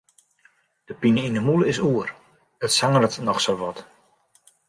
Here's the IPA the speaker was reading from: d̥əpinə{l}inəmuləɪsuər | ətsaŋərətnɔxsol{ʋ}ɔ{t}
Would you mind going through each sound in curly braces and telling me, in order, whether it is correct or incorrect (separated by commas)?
incorrect, correct, correct